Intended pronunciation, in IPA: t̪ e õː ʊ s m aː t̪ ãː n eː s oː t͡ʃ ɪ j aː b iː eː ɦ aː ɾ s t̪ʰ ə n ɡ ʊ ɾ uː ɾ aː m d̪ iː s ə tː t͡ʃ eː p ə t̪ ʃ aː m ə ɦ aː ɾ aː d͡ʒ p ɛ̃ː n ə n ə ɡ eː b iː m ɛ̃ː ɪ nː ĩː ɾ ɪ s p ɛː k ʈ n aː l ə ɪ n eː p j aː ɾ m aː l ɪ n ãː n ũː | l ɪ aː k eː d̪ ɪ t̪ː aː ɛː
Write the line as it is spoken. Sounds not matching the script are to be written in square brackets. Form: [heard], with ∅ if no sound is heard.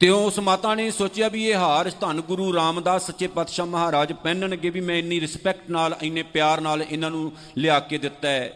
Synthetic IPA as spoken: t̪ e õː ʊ s m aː t̪ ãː n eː s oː t͡ʃ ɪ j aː b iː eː ɦ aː ɾ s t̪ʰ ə n ɡ ʊ ɾ uː ɾ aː m d̪ [aː] s ə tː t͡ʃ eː p ə t̪ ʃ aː m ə ɦ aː ɾ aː d͡ʒ p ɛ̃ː n ə n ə ɡ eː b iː m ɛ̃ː ɪ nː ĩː ɾ ɪ s p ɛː k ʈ n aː l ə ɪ n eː p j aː ɾ [n] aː l ɪ n ãː n ũː | l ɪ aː k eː d̪ ɪ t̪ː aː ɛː